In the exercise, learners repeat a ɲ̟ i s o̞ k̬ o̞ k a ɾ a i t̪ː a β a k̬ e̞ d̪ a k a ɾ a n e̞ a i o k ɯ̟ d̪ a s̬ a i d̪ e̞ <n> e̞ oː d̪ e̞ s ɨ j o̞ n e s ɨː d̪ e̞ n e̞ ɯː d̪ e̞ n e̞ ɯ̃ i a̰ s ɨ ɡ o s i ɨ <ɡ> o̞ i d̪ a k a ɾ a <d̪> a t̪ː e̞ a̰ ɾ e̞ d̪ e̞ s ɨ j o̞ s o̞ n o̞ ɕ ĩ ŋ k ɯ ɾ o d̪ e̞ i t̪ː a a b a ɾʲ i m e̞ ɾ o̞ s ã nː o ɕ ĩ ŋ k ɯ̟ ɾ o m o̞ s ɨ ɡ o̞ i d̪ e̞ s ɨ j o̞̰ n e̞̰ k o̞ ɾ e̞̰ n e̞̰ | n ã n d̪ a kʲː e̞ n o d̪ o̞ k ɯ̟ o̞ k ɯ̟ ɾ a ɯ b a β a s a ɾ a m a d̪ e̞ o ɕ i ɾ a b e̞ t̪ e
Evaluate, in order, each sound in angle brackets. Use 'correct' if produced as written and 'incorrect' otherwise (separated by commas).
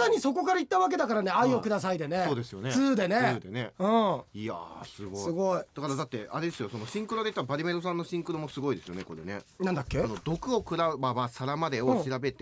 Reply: correct, correct, correct